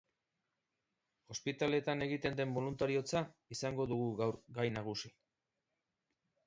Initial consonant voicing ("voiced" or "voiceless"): voiceless